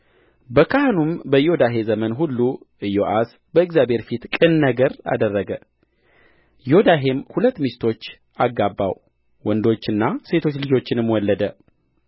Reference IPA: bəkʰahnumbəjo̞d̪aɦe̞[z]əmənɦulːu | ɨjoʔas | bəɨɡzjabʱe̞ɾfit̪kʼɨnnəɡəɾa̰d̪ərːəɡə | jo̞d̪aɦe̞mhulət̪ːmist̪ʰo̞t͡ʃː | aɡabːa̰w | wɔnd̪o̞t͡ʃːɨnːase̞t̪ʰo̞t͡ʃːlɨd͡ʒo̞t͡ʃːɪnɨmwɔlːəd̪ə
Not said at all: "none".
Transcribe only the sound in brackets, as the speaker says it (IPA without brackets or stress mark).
z